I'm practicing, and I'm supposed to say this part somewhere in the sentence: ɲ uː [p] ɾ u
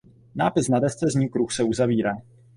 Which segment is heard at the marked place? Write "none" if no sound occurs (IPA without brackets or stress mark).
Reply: k